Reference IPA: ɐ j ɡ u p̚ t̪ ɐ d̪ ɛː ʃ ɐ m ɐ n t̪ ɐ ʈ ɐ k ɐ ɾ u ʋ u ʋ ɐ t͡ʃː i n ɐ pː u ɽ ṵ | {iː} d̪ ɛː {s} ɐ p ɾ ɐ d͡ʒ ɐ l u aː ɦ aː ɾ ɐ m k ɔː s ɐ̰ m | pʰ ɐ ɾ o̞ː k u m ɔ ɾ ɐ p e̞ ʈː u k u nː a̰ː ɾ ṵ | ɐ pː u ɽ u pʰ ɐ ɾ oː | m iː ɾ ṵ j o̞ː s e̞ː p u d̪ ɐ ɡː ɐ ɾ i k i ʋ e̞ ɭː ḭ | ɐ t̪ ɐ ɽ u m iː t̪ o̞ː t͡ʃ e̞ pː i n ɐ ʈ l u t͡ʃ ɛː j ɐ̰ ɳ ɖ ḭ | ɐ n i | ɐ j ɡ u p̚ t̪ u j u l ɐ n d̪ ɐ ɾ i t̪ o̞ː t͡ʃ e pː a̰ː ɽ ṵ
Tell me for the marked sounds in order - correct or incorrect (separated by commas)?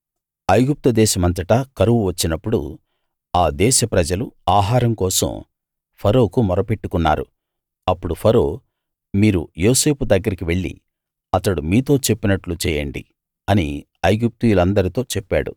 incorrect, incorrect